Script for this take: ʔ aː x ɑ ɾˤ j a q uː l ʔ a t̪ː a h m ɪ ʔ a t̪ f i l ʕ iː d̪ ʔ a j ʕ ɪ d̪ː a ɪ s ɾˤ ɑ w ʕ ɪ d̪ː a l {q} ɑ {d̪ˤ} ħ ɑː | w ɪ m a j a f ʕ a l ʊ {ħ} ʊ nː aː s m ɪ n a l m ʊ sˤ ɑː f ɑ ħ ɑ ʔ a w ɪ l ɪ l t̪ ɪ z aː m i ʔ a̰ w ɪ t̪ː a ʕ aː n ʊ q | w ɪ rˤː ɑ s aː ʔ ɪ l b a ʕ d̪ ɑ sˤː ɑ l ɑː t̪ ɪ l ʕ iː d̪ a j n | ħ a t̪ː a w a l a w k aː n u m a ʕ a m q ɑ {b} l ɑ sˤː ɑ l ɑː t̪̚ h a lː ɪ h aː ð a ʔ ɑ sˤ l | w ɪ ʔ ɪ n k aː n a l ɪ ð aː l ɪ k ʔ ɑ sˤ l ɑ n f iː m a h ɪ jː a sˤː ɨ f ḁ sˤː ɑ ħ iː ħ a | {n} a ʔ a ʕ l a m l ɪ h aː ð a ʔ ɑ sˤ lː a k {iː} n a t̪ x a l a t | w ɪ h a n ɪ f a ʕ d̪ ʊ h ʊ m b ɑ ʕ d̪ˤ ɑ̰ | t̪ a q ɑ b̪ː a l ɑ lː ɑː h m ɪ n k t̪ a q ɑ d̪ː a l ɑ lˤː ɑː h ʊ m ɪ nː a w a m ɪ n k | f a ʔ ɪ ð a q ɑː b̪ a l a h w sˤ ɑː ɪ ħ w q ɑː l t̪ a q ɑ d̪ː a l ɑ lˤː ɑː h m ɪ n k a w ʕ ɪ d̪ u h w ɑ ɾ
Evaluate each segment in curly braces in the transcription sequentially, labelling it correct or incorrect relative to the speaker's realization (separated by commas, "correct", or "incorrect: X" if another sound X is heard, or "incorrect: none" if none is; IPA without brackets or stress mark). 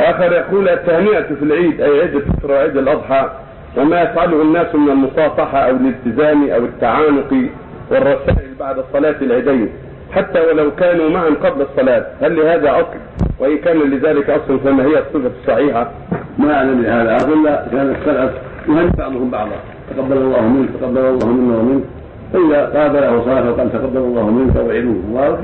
incorrect: ʔ, correct, incorrect: h, correct, incorrect: m, incorrect: aː